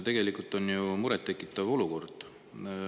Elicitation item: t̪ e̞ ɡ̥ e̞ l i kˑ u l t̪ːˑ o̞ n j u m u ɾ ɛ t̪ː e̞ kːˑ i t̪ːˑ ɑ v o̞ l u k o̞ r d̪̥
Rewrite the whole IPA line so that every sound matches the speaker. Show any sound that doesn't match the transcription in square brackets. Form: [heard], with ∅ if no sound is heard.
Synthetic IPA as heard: t̪ e̞ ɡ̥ e̞ l i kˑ u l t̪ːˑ o̞ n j u m u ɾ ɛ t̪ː e̞ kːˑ i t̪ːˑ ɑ v o̞ l u k o̞ r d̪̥